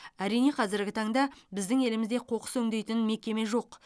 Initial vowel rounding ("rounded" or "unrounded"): unrounded